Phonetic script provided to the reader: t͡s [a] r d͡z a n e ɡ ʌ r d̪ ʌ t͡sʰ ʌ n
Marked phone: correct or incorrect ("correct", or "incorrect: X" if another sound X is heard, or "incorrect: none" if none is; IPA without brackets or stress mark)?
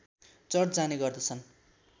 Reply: incorrect: ʌ